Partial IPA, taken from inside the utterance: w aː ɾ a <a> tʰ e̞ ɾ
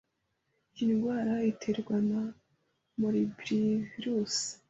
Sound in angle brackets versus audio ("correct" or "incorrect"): incorrect